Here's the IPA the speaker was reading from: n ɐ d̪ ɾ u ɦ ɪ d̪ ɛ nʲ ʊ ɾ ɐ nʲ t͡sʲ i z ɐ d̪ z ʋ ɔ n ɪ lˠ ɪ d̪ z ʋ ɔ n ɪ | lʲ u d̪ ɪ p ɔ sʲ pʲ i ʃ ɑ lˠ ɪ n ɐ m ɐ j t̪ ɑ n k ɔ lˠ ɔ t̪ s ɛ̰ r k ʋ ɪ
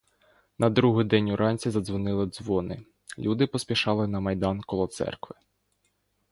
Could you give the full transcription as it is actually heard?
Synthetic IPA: n ɐ d̪ ɾ u ɦ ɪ d̪ ɛ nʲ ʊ ɾ ɑ nʲ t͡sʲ i z ɐ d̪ z ʋ ɔ n ɪ lˠ ɪ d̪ z ʋ ɔ n ɪ | lʲ u d̪ ɪ p ɔ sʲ pʲ i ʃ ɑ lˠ ɪ n ɐ m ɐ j d̪ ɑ n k ɔ lˠ ɔ t̪ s ɛ̰ r k ʋ ɪ